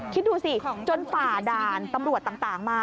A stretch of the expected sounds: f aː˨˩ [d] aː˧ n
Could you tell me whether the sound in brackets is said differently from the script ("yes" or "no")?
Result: no